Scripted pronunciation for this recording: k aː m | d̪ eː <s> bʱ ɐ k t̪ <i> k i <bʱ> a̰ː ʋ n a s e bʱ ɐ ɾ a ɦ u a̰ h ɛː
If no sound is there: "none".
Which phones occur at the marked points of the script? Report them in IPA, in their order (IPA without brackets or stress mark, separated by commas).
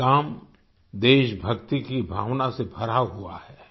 ʃ, i, bʱ